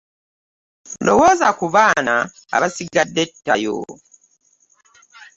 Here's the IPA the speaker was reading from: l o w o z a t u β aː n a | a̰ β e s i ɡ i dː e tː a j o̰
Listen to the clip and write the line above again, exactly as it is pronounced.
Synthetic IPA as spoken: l o w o z a k u β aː n a | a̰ β a s i ɡ a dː e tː a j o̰